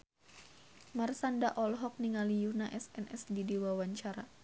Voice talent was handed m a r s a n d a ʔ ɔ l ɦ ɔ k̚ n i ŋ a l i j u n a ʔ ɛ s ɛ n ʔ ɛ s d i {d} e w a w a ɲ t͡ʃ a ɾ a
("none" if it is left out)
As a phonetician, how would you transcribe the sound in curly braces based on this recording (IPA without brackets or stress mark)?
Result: d